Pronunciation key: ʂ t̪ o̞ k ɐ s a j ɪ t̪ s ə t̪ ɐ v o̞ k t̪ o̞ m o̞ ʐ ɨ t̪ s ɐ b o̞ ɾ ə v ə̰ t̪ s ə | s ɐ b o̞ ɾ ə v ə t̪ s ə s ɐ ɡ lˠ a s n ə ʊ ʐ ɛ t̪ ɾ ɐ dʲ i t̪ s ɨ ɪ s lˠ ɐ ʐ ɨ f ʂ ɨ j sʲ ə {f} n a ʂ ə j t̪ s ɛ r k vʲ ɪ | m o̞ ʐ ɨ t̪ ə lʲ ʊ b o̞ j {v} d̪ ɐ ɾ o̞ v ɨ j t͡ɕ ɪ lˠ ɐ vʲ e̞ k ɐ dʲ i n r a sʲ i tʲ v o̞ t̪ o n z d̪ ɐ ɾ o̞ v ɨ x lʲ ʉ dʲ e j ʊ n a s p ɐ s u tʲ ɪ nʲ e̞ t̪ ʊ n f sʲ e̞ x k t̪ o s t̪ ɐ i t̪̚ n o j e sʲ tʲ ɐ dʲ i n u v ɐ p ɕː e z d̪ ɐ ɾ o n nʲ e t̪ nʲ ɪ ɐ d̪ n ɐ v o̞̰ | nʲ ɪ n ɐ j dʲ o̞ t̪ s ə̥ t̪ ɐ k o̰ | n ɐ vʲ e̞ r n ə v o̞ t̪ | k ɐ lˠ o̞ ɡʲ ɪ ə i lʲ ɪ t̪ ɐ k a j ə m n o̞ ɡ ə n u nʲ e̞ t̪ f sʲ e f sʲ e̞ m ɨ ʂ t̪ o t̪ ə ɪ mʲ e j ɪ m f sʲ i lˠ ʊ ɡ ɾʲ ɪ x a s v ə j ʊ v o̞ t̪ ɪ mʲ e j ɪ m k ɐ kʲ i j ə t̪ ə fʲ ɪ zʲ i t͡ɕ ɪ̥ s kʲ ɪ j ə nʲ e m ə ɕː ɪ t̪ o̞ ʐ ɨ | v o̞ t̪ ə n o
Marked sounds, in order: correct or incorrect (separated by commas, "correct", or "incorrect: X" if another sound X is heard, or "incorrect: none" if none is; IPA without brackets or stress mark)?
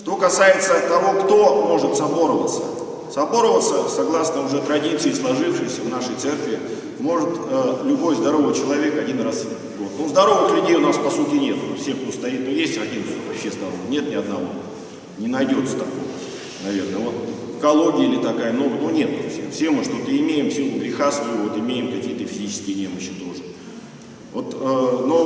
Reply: incorrect: v, incorrect: z